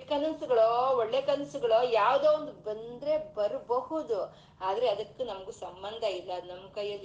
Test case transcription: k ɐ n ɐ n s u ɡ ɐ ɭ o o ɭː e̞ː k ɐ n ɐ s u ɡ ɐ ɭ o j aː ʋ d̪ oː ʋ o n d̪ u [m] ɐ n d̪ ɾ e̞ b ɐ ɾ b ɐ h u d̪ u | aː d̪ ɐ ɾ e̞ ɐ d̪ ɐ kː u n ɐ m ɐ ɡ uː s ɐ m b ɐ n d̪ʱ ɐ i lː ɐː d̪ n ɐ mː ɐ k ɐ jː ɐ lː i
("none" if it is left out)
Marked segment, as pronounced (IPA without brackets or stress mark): b